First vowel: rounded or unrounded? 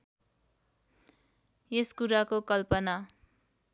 unrounded